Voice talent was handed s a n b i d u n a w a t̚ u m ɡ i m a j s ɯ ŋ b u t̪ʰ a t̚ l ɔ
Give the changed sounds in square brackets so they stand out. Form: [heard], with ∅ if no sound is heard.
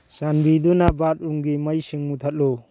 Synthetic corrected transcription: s a n b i d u n a [b] a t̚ u [ŋ] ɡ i m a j s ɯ ŋ [m] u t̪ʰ a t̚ l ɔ